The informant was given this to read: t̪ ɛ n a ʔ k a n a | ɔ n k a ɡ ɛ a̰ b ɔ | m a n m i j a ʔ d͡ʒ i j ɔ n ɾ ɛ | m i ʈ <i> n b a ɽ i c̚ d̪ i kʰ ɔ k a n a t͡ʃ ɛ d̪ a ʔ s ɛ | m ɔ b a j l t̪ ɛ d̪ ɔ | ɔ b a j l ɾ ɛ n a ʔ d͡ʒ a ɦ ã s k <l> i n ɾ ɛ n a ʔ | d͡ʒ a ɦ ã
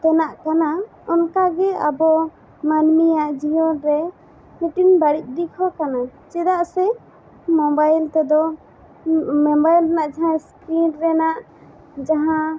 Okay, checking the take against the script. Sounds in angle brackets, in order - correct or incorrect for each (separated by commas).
correct, incorrect